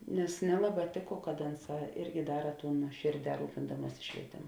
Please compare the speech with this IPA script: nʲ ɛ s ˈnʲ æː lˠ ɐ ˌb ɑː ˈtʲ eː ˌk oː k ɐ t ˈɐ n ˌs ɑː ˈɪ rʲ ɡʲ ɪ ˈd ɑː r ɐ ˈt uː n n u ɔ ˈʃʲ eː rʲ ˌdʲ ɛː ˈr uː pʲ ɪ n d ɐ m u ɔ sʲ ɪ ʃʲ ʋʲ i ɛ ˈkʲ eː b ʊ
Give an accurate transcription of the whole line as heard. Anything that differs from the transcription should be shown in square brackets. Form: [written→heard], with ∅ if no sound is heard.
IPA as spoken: nʲ ɛ s ˈnʲ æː lˠ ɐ ˌb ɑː ˈtʲ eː ˌk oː k ɐ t ˈɐ n ˌs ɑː ˈɪ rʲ ɡʲ ɪ ˈd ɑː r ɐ ˈt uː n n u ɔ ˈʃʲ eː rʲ ˌdʲ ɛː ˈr uː pʲ ɪ n d ɐ m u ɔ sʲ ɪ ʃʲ ʋʲ i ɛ [ˈkʲ→ˈtʲ] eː [b→m] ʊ